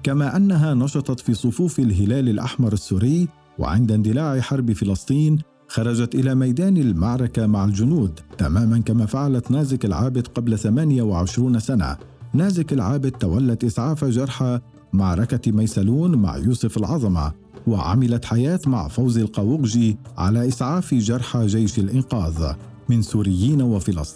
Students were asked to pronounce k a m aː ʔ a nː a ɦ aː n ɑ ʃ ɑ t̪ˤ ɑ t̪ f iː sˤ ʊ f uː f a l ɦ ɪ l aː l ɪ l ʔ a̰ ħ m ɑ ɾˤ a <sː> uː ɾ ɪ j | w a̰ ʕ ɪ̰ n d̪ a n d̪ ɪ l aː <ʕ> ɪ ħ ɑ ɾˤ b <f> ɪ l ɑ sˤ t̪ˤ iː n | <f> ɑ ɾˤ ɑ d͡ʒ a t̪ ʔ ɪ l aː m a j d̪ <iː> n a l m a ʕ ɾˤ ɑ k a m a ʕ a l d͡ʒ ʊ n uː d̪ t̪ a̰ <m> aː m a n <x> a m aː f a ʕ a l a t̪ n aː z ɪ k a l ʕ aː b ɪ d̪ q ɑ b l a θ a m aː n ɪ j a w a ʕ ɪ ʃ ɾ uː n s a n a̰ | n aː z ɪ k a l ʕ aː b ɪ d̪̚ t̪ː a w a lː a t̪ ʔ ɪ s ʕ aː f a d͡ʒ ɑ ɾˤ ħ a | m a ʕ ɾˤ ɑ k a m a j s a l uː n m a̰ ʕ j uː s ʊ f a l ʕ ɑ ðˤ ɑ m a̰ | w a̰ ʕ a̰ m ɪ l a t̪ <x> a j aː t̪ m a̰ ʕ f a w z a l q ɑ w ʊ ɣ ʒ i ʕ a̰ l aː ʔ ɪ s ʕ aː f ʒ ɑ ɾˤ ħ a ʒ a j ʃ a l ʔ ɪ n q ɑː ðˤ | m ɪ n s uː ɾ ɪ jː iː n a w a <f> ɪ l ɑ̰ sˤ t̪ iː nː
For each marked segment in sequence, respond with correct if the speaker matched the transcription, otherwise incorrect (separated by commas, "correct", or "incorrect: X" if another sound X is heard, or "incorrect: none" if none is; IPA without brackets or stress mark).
correct, correct, correct, incorrect: x, incorrect: aː, correct, incorrect: k, incorrect: ħ, correct